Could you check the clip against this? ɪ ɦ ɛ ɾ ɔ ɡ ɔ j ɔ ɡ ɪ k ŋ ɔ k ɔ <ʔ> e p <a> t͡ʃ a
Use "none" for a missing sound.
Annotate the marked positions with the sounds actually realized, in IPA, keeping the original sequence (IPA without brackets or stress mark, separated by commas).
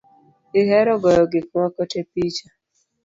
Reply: t, i